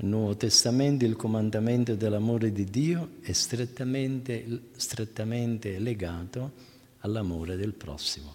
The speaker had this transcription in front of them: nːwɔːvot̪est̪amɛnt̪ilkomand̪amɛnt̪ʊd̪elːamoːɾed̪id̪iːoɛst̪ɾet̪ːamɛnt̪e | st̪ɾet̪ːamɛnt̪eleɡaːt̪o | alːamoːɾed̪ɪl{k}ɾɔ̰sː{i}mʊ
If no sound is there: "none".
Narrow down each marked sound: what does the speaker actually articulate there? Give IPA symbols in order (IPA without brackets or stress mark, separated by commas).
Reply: p, i